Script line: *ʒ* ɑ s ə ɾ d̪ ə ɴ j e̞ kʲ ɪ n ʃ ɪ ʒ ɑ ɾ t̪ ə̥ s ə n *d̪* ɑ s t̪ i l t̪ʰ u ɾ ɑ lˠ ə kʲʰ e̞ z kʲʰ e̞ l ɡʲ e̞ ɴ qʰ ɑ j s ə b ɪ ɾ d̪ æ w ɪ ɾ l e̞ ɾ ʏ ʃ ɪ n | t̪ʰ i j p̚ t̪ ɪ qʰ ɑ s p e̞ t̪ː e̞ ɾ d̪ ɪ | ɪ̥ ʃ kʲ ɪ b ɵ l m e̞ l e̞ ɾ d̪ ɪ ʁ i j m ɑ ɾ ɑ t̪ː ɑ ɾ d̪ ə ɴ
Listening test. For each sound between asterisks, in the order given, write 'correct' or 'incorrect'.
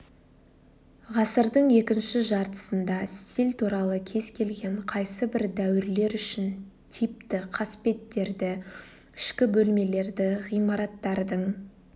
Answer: incorrect, correct

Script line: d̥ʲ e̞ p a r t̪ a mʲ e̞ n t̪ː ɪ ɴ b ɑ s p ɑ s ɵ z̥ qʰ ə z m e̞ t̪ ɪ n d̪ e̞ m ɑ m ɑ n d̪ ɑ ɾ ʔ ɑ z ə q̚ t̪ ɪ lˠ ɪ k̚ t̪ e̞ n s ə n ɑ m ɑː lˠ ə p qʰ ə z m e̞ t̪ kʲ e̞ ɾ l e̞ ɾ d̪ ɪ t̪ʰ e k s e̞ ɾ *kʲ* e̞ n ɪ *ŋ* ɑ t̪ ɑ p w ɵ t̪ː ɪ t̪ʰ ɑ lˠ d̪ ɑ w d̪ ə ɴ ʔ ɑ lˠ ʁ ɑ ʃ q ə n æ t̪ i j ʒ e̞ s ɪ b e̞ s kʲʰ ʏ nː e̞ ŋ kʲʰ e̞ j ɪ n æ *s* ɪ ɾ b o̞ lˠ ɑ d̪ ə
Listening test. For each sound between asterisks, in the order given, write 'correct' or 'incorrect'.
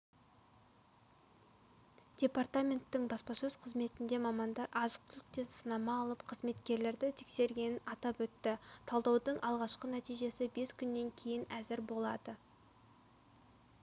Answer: incorrect, incorrect, incorrect

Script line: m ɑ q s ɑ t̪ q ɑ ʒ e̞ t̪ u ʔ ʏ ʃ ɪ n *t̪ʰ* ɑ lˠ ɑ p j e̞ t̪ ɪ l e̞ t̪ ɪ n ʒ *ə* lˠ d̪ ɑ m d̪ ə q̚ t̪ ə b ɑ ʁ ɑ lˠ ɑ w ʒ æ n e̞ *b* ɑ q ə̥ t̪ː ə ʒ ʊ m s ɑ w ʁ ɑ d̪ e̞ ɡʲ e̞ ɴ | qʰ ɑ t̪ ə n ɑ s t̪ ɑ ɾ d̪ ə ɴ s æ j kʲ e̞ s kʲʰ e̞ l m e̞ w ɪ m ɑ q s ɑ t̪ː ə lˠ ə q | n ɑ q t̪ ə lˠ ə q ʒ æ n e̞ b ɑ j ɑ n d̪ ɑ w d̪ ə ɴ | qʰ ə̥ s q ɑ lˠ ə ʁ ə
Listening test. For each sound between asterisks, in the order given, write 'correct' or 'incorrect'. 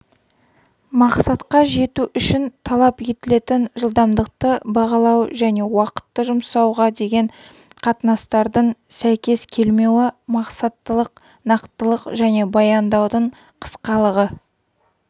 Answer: correct, correct, incorrect

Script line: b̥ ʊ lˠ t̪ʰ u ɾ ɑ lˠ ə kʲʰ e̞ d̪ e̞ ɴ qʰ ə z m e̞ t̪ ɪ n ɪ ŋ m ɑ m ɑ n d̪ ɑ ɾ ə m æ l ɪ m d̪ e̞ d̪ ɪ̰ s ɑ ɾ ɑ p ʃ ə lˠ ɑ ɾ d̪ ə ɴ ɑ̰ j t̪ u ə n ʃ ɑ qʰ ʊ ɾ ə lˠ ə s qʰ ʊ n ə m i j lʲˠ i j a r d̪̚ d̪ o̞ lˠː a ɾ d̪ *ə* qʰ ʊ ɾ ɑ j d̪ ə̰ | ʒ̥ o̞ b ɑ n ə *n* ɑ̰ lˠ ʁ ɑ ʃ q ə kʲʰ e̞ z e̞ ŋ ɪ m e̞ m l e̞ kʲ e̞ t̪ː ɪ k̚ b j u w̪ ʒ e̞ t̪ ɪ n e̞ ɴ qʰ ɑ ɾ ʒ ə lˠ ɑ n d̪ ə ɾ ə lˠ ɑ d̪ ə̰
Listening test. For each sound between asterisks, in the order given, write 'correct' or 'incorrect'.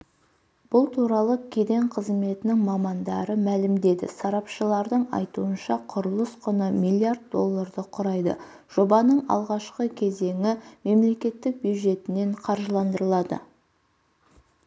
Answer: correct, incorrect

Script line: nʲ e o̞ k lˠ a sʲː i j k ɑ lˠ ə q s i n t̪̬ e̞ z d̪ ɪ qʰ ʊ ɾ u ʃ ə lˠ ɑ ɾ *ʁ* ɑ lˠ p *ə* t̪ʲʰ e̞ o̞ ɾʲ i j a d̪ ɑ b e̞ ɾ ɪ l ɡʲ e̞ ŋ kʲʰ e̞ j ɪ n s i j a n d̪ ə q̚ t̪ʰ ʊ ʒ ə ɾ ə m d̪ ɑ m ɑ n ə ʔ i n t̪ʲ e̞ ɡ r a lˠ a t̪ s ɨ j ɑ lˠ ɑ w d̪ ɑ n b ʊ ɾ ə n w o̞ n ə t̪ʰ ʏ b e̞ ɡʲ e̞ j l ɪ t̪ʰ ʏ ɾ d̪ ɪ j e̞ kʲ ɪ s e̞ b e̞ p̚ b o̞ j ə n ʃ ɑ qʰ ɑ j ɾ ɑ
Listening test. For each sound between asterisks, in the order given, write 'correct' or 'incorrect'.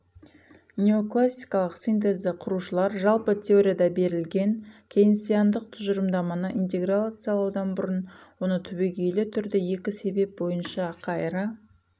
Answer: incorrect, correct

